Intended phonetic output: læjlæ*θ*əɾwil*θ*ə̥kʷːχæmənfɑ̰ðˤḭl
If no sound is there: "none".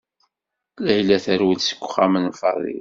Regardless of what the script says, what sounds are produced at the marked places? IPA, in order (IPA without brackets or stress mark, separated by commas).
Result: θ, s